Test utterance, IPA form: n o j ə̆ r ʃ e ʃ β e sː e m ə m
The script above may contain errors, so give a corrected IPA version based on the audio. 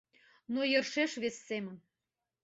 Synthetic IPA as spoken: n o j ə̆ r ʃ e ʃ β e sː e m ə n

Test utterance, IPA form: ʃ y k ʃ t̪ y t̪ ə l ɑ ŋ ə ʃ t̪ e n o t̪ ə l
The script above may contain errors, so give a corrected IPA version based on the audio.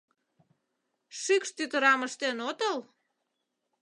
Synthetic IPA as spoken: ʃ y k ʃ t̪ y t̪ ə ɾ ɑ m ə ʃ t̪ e n o t̪ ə l

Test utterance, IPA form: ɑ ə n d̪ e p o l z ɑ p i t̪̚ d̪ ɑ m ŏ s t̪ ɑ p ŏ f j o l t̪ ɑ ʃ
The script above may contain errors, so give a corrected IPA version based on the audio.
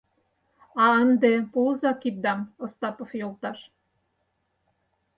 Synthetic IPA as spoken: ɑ ə n d̪ e p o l z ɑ k i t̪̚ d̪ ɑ m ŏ s t̪ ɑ p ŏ f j o l t̪ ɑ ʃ

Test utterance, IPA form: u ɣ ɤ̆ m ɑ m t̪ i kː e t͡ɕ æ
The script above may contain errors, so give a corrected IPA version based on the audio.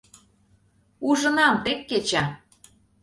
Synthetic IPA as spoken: u ʒ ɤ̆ n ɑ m t̪ e kː e t͡ɕ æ

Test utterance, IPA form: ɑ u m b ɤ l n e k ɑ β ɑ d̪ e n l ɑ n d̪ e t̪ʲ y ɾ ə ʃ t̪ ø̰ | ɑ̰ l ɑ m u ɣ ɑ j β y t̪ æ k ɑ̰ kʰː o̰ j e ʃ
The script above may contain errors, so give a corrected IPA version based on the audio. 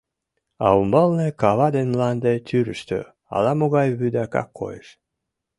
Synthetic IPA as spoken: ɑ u m b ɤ l n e k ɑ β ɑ d̪ e n l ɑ n d̪ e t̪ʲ y ɾ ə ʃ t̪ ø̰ | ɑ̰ l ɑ m o ɣ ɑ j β y d̪ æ k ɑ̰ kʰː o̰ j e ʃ

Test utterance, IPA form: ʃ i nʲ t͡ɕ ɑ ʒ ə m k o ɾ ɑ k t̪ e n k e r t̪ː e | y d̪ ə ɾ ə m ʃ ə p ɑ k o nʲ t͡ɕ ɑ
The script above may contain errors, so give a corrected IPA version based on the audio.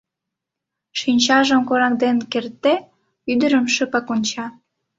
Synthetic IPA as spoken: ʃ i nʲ t͡ɕ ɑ ʒ ə m k o ɾ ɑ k d̪ e n k e r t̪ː e | y d̪ ə ɾ ə m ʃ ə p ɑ k o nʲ t͡ɕ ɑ

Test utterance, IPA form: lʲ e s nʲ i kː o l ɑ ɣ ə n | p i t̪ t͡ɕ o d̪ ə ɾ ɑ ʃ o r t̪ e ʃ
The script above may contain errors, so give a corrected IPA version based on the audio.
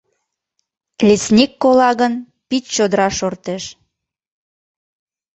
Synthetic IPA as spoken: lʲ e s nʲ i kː o l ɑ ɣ ə n | p i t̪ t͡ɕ o d̪ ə ɾ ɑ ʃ o r t̪ e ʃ

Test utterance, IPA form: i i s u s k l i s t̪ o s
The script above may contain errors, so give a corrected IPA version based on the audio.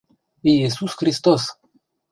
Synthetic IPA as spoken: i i s u s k ɾ i s t̪ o s

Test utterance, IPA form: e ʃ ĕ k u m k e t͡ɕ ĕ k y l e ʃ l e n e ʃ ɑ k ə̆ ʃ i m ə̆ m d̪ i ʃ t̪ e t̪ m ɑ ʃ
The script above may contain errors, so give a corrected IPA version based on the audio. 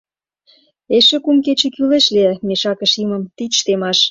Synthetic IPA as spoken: e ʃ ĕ k u m k e t͡ɕ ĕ k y l e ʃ l e m e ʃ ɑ k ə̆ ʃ i m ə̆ m t̪ i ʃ t̪ e m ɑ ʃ

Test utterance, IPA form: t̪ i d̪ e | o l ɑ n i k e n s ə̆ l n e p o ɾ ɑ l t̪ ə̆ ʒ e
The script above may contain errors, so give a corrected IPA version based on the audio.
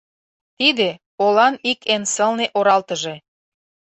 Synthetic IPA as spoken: t̪ i d̪ e | o l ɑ n i k e n s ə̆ l n e ʔ o ɾ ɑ l t̪ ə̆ ʒ e

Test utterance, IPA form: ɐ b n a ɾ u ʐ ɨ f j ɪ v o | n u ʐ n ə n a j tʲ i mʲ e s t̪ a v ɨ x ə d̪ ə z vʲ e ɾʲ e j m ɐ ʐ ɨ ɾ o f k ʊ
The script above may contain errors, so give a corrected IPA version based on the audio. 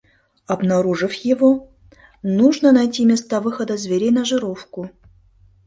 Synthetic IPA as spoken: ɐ b n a ɾ u ʐ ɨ f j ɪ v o | n u ʐ n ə n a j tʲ i mʲ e s t̪ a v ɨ x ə d̪ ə z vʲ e ɾʲ e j n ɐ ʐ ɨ ɾ o f k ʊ

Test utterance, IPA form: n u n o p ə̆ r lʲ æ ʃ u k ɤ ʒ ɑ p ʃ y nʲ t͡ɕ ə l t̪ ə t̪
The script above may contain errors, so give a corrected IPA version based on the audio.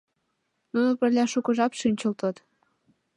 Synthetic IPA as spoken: n u n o p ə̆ r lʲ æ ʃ u k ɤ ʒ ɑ p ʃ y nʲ t͡ɕ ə l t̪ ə t̪

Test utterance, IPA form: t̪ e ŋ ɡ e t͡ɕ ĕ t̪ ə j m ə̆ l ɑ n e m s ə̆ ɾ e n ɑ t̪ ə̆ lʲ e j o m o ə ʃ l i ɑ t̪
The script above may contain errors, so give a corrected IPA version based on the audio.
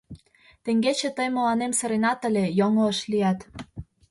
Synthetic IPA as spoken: t̪ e ŋ ɡ e t͡ɕ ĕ t̪ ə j m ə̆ l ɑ n e m s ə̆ ɾ e n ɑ t̪ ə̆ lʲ e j o ŋ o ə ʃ l i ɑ t̪

